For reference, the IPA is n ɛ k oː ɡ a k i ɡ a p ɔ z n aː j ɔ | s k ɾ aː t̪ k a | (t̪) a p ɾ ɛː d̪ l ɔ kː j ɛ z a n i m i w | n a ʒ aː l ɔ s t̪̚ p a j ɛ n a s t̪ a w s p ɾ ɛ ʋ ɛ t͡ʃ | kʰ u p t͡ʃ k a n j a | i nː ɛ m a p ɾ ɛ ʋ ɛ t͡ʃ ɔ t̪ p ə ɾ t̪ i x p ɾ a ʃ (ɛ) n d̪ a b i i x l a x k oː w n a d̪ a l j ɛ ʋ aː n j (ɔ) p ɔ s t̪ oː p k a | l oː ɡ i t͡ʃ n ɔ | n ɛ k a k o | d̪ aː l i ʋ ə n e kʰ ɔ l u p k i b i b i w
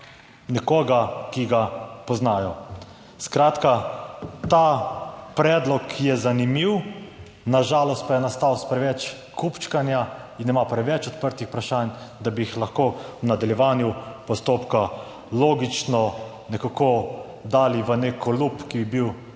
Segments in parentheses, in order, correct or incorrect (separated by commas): correct, incorrect, incorrect